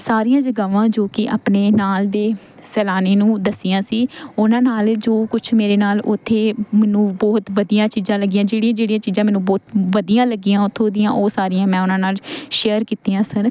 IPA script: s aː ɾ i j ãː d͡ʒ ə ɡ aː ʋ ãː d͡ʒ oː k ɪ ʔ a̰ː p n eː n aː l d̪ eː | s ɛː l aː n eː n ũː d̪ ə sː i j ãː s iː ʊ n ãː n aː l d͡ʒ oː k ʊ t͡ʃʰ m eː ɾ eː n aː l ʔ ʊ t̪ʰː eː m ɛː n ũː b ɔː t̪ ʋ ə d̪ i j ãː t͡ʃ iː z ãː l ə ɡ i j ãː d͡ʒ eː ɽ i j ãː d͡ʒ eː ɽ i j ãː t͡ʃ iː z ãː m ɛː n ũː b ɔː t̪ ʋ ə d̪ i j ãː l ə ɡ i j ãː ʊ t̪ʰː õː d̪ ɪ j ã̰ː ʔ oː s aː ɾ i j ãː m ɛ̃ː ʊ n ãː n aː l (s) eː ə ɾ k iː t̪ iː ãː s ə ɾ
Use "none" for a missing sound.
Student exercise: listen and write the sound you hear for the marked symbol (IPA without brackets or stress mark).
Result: ʃ